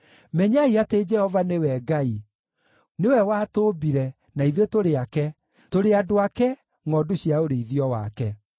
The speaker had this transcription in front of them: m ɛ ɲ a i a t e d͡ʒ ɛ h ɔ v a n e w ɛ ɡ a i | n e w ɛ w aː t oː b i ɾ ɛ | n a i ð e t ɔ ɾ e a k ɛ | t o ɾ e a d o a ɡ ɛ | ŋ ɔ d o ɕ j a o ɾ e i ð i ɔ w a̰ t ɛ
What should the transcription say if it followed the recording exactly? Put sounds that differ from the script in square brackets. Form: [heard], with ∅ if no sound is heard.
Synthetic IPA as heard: m ɛ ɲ a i a t e d͡ʒ ɛ h ɔ v a n e w ɛ ɡ a i | n e w ɛ w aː t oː b i ɾ ɛ | n a i ð e t [o] ɾ e a k ɛ | t o ɾ e a d o a [k] ɛ | ŋ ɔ d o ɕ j a o ɾ e i ð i ɔ w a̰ [k] ɛ